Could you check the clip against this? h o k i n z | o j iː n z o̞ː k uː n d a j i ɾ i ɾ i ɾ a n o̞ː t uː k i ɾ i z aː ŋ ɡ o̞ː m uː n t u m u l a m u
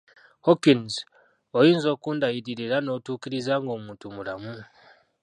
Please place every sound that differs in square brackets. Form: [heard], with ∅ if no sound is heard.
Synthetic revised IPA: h o k i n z | o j iː n z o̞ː k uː n d a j i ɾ i ɾ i ɾ a n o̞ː t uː k i ɾ i z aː ŋ ɡ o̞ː m uː n t u m u l a m u